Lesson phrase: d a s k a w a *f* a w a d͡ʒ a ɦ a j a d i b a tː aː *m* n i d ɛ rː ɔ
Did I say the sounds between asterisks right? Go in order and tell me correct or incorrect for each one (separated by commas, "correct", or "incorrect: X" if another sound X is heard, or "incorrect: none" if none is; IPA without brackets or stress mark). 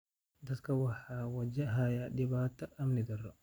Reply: incorrect: h, correct